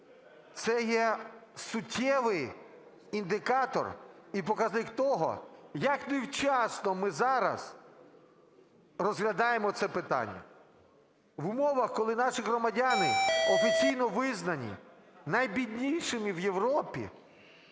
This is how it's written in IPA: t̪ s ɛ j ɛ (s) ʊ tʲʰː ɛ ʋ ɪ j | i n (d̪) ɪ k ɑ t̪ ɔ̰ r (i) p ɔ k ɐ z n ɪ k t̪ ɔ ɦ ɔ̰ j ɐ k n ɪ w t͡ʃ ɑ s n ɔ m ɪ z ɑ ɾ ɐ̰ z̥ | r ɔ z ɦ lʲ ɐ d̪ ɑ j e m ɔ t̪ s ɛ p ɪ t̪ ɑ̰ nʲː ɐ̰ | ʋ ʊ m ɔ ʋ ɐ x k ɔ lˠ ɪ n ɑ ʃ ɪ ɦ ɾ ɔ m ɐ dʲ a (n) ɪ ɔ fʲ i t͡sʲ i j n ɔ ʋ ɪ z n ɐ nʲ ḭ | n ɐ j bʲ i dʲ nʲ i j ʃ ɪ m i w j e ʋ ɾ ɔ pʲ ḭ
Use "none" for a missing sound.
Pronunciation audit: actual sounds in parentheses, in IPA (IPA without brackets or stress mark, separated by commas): s, d̪, i, n